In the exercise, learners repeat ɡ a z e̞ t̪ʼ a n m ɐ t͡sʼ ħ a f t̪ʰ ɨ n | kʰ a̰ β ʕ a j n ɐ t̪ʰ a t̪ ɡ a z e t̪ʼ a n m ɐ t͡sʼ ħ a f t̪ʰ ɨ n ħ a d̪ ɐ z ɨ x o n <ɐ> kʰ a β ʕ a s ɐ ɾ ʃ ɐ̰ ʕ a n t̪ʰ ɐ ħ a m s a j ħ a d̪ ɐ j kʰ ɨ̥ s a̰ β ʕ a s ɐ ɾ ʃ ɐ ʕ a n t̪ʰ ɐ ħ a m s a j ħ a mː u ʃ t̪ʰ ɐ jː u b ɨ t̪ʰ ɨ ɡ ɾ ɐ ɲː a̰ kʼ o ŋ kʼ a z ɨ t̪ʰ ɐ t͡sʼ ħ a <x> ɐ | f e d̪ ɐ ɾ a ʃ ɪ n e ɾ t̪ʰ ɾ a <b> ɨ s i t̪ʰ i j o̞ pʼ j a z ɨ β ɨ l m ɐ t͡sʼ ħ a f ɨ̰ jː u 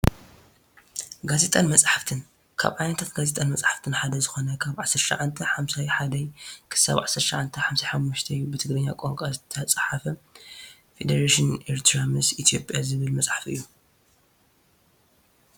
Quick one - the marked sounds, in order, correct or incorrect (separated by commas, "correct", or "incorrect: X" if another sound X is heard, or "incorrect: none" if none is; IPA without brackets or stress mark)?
correct, incorrect: f, incorrect: m